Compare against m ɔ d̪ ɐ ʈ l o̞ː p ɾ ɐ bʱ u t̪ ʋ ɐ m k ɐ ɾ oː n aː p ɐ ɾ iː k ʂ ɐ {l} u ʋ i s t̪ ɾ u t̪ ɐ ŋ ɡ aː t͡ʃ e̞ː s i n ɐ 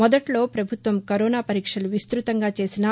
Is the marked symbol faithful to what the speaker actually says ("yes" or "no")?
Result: yes